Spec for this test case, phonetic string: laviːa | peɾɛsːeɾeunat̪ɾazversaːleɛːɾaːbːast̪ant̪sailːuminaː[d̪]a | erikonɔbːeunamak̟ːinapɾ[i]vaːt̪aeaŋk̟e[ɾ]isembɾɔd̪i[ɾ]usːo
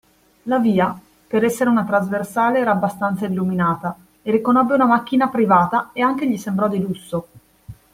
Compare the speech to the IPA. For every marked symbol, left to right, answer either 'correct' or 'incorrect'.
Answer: incorrect: t̪, correct, incorrect: ʎ, incorrect: l

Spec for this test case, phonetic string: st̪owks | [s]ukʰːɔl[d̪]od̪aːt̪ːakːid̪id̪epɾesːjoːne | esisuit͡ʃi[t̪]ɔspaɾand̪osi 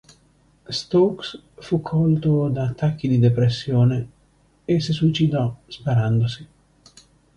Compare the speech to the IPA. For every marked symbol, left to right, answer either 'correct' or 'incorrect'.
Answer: incorrect: f, incorrect: t̪, incorrect: d̪

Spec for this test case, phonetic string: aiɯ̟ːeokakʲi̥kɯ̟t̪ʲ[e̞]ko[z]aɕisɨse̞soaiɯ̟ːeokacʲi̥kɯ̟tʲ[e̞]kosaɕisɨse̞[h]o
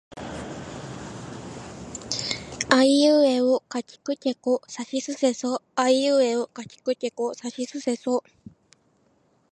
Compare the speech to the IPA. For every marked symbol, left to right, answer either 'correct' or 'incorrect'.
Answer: correct, incorrect: s, correct, incorrect: s

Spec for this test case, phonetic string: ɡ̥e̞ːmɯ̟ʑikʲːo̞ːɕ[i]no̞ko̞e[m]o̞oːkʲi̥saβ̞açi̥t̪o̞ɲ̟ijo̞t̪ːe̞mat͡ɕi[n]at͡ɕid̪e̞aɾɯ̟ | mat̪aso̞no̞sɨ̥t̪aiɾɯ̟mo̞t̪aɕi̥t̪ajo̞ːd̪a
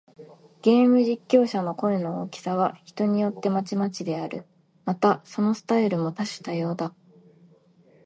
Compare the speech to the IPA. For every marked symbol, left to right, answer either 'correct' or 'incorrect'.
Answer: incorrect: a, incorrect: n, incorrect: m

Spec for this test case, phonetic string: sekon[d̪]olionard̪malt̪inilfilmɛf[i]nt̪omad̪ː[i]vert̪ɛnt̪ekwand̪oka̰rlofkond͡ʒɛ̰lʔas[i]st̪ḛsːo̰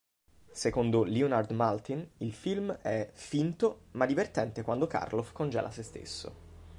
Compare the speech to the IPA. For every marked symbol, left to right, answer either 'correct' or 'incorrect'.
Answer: correct, correct, correct, incorrect: e

